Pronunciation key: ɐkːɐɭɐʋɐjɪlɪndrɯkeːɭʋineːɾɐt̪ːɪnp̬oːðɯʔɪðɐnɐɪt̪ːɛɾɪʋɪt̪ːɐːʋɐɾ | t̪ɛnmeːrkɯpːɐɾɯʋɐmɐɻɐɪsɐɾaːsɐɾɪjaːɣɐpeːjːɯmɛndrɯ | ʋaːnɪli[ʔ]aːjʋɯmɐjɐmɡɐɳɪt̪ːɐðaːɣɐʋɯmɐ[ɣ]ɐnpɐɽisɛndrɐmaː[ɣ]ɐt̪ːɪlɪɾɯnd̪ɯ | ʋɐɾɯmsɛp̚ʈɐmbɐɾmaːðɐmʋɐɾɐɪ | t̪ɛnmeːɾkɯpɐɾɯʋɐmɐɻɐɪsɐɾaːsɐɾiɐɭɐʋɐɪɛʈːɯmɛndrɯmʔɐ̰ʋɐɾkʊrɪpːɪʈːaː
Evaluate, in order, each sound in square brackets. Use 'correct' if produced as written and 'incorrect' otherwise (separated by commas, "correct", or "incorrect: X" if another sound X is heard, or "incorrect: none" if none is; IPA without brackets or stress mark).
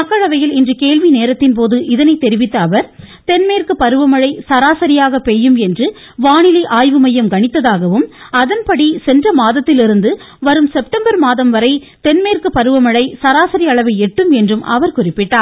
correct, incorrect: ð, incorrect: ð